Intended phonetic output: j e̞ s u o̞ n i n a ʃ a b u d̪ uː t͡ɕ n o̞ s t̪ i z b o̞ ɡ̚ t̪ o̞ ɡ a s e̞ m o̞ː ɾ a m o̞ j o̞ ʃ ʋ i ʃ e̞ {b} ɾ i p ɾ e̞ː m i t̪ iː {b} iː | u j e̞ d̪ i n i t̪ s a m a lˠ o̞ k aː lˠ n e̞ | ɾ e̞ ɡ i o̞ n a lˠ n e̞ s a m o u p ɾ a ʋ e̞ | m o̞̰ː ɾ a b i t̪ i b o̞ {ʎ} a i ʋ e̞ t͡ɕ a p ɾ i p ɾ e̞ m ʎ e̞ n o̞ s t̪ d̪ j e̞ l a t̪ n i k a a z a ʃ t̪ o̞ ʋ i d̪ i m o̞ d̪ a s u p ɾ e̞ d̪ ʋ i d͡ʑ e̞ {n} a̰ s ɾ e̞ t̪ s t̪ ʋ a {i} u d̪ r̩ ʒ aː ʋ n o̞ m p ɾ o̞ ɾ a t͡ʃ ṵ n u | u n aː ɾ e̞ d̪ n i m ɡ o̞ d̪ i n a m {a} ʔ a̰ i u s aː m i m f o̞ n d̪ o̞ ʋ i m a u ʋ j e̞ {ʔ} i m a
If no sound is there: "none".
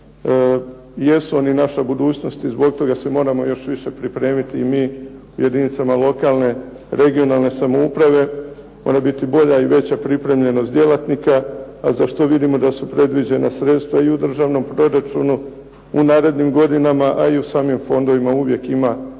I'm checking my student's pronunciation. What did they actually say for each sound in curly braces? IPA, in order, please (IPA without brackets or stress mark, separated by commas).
p, m, ʎ, n, i, a, k